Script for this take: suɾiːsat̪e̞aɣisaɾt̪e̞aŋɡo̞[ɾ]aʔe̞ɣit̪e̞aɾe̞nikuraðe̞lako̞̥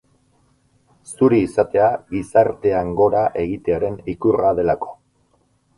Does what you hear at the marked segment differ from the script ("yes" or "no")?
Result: no